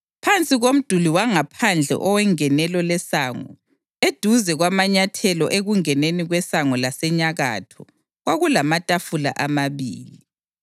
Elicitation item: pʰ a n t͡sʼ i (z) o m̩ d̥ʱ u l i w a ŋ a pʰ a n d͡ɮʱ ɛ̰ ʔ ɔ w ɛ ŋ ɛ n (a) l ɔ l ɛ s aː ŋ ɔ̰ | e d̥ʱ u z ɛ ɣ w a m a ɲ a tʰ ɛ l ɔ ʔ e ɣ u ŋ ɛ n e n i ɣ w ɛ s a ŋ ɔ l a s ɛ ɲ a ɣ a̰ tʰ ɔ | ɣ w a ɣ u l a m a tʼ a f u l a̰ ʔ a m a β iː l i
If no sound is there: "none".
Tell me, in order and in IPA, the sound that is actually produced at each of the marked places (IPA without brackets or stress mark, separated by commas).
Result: ɣ, ɛ